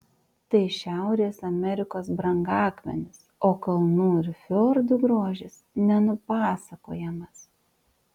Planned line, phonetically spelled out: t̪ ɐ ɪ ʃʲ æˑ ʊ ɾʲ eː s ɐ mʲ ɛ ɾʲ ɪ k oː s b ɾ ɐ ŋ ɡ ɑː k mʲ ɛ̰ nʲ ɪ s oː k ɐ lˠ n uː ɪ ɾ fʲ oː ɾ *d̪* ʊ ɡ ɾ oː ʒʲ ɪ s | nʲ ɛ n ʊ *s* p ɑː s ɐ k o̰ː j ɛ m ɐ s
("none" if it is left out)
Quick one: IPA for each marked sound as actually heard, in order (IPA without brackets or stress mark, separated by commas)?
d̪, none